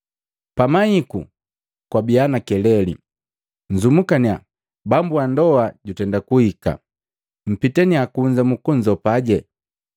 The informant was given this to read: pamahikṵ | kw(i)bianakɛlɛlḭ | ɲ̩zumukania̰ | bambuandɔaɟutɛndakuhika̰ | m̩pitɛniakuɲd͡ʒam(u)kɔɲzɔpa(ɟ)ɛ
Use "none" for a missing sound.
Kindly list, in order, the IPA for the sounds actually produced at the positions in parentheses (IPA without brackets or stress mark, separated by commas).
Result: a, u, ɟ